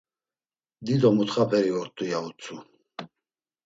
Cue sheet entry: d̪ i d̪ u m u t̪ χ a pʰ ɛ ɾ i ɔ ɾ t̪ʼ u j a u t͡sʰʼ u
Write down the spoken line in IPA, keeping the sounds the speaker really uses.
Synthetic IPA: d̪ i d̪ ɔ m u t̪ χ a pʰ ɛ ɾ i ɔ ɾ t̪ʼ u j a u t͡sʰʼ u